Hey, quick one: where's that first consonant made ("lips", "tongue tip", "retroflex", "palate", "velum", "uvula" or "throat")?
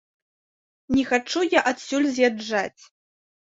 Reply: tongue tip